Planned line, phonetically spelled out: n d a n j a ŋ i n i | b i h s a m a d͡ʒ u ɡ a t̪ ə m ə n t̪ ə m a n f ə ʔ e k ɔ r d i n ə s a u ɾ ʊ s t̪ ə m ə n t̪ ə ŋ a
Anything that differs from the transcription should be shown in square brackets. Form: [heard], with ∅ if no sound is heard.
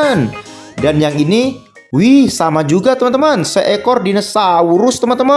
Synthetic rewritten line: n d a n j a ŋ i n i | [w] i h s a m a d͡ʒ u ɡ a t̪ ə m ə n t̪ ə m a n [s] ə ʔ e k ɔ r d i n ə s a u ɾ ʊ s t̪ ə m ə n t̪ ə [m] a

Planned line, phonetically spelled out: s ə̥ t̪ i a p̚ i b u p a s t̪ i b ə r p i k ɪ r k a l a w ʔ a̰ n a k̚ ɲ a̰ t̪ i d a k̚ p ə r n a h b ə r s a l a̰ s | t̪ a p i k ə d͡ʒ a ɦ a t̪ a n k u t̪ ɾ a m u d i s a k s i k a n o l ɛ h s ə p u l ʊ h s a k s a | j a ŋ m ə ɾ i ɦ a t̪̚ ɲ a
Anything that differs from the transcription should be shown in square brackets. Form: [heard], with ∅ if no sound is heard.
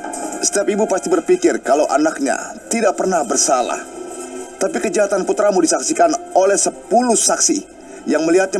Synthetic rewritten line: s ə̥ t̪ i a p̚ i b u p a s t̪ i b ə r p i k ɪ r k a l a w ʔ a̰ n a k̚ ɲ a̰ t̪ i d a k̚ p ə r n a h b ə r s a l a̰ [h] | t̪ a p i k ə d͡ʒ a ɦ a t̪ a n [p] u t̪ ɾ a m u d i s a k s i k a n o l ɛ h s ə p u l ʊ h s a k s [i] | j a ŋ m ə [l] i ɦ a t̪̚ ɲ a

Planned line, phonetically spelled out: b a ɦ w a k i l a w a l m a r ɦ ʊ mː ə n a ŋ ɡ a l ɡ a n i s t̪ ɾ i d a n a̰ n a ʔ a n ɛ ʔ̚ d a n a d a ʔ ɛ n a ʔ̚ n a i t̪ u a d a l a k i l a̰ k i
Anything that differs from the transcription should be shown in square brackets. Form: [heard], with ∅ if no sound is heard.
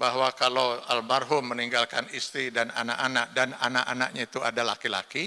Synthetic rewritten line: b a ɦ w a k [a] l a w a l m a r ɦ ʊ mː ə n [i] ŋ ɡ a l [k] a n i s t̪ ɾ i d a n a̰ n a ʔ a n [a] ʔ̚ d a n a [n] a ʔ [a] n a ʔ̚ [ɲ] a i t̪ u a d a l a k i l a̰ k i

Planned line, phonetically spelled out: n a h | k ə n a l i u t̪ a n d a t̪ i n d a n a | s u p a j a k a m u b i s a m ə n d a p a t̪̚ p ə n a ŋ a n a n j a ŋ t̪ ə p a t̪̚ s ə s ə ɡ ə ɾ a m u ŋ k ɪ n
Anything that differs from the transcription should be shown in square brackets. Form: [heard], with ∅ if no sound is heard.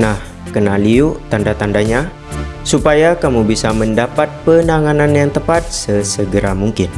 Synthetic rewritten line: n a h | k ə n a l i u t̪ a n d a t̪ [a] n d a [ɲ] a | s u p a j a k a m u b i s a m ə n d a p a t̪̚ p ə n a ŋ a n a n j a ŋ t̪ ə p a t̪̚ s ə s ə ɡ ə ɾ a m u ŋ k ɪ n

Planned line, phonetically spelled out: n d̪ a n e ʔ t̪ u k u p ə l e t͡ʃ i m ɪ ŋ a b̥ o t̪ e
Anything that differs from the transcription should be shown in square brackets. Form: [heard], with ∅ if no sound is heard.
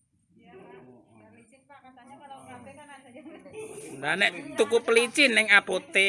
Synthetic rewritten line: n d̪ a n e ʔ t̪ u k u p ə l [i] t͡ʃ i [n] ɪ ŋ a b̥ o t̪ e

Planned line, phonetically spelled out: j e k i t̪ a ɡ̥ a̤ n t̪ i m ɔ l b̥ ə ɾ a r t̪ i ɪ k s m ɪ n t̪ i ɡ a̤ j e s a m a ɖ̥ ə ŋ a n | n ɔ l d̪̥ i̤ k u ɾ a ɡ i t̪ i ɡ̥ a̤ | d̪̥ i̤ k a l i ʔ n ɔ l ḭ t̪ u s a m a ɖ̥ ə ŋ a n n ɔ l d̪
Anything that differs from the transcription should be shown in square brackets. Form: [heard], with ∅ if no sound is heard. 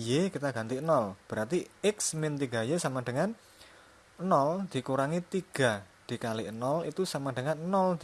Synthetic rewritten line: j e k i t̪ a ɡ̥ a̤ n t̪ i [n] ɔ l b̥ ə ɾ a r t̪ i ɪ k s m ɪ n t̪ i ɡ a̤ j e s a m a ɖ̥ ə ŋ a n | n ɔ l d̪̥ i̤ k u ɾ a [ŋ] i t̪ i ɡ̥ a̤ | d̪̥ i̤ k a l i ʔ n ɔ l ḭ t̪ u s a m a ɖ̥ ə ŋ a n n ɔ l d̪

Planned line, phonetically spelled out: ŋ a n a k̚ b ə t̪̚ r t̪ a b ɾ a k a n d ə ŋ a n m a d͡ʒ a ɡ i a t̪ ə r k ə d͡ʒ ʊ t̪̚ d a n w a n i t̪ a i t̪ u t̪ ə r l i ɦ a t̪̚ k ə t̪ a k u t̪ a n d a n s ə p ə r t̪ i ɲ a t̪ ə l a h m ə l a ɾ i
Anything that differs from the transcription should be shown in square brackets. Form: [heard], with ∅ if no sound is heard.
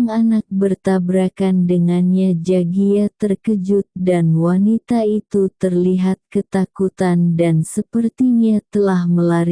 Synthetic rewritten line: ŋ a n a k̚ b ə [∅] r t̪ a b ɾ a k a n d ə ŋ a n [ɲ] a d͡ʒ a ɡ i a t̪ ə r k ə d͡ʒ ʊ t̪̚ d a n w a n i t̪ a i t̪ u t̪ ə r l i ɦ a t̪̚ k ə t̪ a k u t̪ a n d a n s ə p ə r t̪ i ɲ a t̪ ə l a h m ə l a ɾ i

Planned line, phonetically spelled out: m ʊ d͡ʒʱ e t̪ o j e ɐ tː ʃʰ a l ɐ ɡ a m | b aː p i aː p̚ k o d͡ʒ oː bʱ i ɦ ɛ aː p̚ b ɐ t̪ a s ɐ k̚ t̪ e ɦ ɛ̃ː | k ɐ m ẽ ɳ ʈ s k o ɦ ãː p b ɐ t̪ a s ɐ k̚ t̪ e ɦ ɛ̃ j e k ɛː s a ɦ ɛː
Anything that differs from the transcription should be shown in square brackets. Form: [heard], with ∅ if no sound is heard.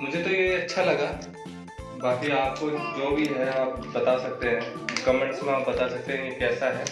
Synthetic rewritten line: m ʊ d͡ʒʱ e t̪ o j e ɐ tː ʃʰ a l ɐ ɡ a [∅] | b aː [k] i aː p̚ k o d͡ʒ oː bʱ i ɦ ɛ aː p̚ b ɐ t̪ a s ɐ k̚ t̪ e ɦ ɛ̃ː | k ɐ m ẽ ɳ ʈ s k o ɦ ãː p b ɐ t̪ a s ɐ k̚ t̪ e ɦ ɛ̃ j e k ɛː s a ɦ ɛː

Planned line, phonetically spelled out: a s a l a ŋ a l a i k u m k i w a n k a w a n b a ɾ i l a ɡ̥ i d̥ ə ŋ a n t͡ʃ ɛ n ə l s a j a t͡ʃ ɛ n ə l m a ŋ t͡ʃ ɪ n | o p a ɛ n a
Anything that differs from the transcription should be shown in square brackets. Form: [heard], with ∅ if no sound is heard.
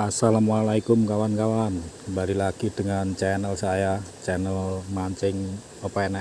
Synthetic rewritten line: a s a l a [m] a l a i k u m k [a] w a n k a w a n b a ɾ i l a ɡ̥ i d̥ ə ŋ a n t͡ʃ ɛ n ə l s a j a t͡ʃ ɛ n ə l m a [ɲ] t͡ʃ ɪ [ŋ] | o p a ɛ n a

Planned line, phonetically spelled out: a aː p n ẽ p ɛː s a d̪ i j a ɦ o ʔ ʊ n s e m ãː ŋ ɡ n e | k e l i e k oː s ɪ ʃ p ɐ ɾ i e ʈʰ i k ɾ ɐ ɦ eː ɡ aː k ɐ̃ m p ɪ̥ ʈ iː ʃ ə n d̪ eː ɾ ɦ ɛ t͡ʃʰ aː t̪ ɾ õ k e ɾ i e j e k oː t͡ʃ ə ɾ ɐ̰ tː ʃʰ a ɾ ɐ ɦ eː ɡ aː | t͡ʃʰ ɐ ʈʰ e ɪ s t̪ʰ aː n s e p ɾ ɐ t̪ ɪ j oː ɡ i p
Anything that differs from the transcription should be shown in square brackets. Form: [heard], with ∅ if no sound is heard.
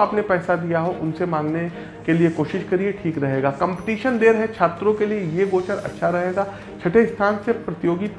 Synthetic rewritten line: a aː p n [e] p ɛː s a d̪ i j a ɦ o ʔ ʊ n s e m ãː ŋ ɡ n e | k e l i e k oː [ʃ] ɪ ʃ [k] ɐ ɾ i e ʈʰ [iː] k ɾ ɐ ɦ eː ɡ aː k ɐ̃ m p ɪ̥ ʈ iː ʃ ə n d̪ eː ɾ ɦ ɛ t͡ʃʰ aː t̪ ɾ õ k e [l] i e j e [ɡ] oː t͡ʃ ə ɾ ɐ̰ tː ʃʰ a ɾ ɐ ɦ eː ɡ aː | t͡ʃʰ ɐ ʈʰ e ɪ s t̪ʰ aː n s e p ɾ ɐ t̪ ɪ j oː ɡ i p

